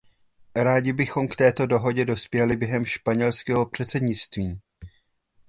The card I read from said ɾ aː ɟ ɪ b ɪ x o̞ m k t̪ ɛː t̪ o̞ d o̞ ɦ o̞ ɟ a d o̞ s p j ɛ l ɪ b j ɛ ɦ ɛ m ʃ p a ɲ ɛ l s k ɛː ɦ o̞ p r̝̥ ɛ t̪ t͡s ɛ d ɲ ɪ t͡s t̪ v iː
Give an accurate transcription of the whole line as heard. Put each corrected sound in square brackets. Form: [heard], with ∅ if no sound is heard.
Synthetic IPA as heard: ɾ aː ɟ ɪ b ɪ x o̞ m k t̪ ɛː t̪ o̞ d o̞ ɦ o̞ ɟ [ɛ] d o̞ s p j ɛ l ɪ b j ɛ ɦ ɛ m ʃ p a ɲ ɛ l s k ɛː ɦ o̞ p r̝̥ ɛ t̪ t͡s ɛ d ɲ ɪ t͡s t̪ v iː